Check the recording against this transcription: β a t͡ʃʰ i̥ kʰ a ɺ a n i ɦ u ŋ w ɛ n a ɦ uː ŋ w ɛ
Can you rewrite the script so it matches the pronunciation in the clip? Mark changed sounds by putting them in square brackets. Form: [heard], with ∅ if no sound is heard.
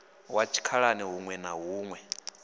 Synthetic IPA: [w] a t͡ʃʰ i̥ kʰ a ɺ a n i ɦ u ŋ w ɛ n a ɦ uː ŋ w ɛ

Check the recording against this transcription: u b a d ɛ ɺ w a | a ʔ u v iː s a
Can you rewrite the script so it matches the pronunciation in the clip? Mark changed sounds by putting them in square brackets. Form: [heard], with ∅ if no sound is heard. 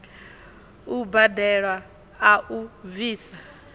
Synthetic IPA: u b a d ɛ ɺ w a | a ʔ u v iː s a

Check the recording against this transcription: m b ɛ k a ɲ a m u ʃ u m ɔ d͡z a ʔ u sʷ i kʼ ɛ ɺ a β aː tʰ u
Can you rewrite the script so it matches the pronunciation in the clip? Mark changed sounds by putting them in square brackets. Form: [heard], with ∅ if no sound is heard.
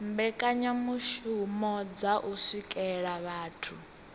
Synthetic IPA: m b ɛ [kʼ] a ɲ a m u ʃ u m ɔ d͡z a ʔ u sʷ i kʼ ɛ ɺ a β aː tʰ u

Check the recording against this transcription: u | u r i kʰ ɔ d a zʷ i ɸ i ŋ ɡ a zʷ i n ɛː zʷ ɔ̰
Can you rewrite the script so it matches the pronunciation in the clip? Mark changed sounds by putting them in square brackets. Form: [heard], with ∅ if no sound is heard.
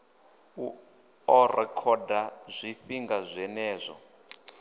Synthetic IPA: u | [ɔ] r [ɛ] kʰ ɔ d a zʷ i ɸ i ŋ ɡ a zʷ [ɛ] n ɛː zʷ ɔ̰

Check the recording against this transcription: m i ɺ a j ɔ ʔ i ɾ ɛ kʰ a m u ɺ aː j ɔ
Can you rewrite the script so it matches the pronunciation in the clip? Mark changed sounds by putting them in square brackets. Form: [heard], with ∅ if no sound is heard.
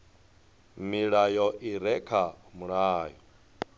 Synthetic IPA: m i ɺ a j ɔ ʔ i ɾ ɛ kʰ a m u ɺ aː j ɔ

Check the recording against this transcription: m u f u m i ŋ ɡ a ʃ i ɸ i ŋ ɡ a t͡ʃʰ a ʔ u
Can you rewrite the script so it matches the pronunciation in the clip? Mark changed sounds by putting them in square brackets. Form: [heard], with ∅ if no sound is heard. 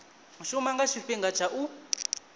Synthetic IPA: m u [ʃ] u m [a] ŋ ɡ a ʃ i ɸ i ŋ ɡ a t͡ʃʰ a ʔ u

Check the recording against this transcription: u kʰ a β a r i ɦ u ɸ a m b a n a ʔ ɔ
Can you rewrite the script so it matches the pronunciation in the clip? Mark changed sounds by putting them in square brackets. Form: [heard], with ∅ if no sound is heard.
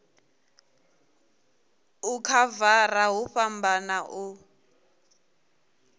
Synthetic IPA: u kʰ a [v] a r [a] ɦ u ɸ a m b a n a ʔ [u]

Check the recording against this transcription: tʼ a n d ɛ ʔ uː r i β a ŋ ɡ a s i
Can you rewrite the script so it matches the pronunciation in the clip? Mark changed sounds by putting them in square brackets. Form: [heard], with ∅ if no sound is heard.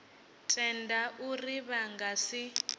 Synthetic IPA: tʼ [ɛ] n d [a] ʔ [u] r i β a ŋ ɡ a s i

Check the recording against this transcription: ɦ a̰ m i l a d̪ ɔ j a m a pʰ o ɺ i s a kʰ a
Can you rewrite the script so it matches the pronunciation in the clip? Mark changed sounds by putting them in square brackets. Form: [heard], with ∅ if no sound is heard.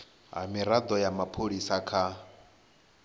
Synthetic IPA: ɦ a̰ m i [ɾ] a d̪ ɔ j a m a pʰ o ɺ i s a kʰ a

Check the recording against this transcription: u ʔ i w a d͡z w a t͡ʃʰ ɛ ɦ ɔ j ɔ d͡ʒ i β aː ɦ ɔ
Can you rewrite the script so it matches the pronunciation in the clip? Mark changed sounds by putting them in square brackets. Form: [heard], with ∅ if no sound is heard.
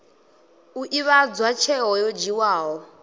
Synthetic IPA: u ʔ i [β] a d͡z w a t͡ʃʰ ɛ ɦ ɔ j ɔ d͡ʒ i [w] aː ɦ ɔ

